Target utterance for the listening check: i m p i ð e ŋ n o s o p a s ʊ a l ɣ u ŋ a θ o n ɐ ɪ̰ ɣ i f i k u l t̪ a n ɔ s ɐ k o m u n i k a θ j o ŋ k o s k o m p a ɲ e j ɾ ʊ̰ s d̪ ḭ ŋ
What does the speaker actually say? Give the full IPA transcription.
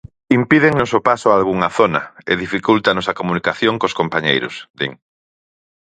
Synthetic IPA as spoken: i m p i ð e ŋ n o s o p a s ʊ a l ɣ u ŋ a θ o n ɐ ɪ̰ ð i f i k u l t̪ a n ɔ s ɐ k o m u n i k a θ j o ŋ k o s k o m p a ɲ e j ɾ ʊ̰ s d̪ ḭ ŋ